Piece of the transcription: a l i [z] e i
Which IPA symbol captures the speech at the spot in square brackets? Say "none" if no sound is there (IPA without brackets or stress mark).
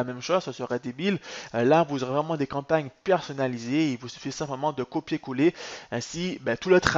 z